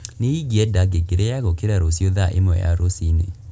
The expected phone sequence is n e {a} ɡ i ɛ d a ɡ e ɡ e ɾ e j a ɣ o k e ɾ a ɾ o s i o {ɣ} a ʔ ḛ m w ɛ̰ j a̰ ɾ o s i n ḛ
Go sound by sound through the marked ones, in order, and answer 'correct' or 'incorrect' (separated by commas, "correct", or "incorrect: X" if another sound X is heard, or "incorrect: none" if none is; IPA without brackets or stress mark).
incorrect: i, incorrect: ð